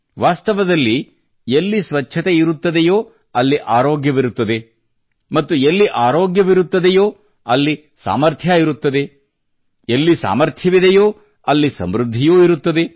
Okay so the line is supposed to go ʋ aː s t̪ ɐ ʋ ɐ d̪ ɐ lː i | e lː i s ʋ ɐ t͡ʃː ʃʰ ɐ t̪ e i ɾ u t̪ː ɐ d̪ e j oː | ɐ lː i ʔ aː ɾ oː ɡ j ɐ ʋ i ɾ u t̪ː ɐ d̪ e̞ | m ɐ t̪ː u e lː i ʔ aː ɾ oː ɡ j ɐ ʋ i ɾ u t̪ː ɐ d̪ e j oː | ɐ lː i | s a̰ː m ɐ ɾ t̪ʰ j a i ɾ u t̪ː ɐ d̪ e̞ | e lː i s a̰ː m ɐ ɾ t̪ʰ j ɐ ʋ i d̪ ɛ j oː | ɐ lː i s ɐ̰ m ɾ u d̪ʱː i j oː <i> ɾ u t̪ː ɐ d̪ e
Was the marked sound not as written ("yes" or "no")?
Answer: no